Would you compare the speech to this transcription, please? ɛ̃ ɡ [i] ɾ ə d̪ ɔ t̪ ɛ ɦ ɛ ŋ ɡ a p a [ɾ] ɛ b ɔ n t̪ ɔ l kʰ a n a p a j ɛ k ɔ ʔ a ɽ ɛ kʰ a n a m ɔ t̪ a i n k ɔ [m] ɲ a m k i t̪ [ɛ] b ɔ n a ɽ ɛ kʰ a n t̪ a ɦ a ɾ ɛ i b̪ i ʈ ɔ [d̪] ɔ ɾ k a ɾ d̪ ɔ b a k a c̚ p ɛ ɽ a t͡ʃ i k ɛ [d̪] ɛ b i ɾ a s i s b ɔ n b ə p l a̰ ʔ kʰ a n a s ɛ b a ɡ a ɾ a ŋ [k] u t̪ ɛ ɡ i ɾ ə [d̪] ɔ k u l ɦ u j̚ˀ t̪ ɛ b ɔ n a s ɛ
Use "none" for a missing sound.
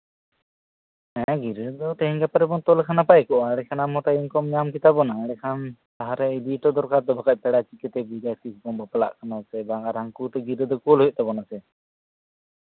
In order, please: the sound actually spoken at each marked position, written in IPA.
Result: i, ɾ, m, a, d̪, t̪, k, d̪

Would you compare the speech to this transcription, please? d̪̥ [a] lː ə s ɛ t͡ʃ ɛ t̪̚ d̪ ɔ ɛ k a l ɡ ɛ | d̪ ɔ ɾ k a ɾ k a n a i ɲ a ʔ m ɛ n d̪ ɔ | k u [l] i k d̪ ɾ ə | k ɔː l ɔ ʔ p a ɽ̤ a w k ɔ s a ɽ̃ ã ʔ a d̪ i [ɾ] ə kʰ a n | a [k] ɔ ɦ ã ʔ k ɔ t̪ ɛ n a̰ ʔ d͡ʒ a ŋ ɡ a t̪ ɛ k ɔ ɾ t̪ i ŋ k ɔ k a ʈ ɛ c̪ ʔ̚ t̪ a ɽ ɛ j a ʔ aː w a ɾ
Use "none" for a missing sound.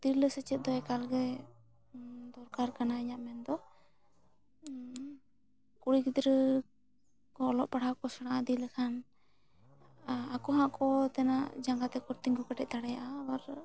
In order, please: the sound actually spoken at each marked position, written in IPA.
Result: i, ɽ, l, k

